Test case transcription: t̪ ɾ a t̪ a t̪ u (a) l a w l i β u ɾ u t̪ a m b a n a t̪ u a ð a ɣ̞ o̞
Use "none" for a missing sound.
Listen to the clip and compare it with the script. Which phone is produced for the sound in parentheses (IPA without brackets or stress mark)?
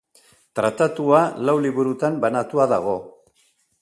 a